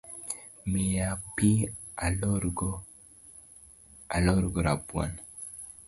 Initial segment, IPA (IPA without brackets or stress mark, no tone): m